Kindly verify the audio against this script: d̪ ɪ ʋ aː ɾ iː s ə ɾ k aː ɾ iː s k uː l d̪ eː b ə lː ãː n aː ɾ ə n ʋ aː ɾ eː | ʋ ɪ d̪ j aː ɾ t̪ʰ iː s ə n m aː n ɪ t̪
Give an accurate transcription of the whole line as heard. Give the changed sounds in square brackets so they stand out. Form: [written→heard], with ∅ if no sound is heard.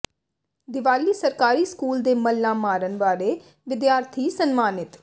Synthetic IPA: d̪ ɪ ʋ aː [ɾ→l] iː s ə ɾ k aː ɾ iː s k uː l d̪ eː [b→m] ə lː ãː [n→m] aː ɾ ə n ʋ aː ɾ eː | ʋ ɪ d̪ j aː ɾ t̪ʰ iː s ə n m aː n ɪ t̪